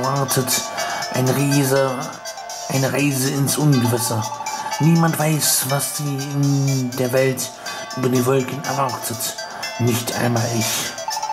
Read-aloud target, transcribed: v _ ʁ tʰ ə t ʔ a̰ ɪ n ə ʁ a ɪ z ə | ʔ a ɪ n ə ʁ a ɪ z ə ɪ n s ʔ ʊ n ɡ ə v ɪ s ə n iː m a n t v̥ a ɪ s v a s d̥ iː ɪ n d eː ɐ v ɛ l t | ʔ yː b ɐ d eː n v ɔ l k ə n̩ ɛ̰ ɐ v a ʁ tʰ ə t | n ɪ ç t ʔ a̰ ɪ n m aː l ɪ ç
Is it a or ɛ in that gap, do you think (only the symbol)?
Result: a